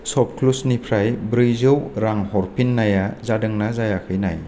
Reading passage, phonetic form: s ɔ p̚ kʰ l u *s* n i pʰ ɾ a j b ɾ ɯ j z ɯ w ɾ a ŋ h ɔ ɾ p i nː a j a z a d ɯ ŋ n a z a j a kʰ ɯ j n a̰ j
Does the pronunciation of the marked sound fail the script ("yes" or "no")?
no